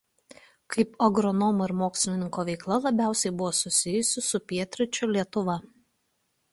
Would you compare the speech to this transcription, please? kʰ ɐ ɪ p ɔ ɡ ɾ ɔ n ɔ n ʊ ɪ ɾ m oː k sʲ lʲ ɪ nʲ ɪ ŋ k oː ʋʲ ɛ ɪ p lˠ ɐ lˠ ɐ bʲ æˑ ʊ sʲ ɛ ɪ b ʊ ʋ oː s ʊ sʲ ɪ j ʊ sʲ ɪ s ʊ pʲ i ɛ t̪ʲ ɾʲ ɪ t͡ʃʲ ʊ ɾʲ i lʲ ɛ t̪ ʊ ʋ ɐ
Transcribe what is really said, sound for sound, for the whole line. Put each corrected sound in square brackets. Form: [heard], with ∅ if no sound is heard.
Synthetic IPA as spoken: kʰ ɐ ɪ p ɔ ɡ ɾ ɔ n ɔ [m] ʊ ɪ ɾ m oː k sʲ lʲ ɪ nʲ ɪ ŋ k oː ʋʲ ɛ ɪ [k] lˠ ɐ lˠ ɐ bʲ æˑ ʊ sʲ ɛ ɪ b ʊ ʋ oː s ʊ sʲ ɪ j ʊ sʲ ɪ s ʊ pʲ i ɛ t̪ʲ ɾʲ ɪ t͡ʃʲ ʊ [lʲ] i [∅] ɛ t̪ ʊ ʋ ɐ